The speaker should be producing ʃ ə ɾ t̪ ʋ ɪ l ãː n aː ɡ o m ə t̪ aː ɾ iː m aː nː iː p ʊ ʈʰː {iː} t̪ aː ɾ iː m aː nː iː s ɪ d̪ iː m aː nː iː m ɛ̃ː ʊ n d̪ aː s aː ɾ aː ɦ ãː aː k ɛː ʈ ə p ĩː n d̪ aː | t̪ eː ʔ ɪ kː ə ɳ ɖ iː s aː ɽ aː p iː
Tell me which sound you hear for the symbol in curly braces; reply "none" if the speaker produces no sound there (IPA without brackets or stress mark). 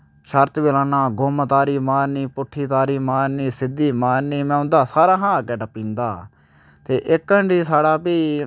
iː